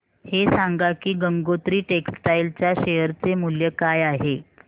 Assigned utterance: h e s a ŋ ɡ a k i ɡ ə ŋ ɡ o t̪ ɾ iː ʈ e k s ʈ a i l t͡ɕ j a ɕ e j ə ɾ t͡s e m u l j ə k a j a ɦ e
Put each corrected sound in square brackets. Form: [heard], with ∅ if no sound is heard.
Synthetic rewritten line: h e s a ŋ ɡ a k [iː] ɡ ə ŋ ɡ o t̪ ɾ iː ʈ e k s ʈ a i l t͡ɕ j a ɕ e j ə ɾ t͡s e m u l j ə k a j a ɦ e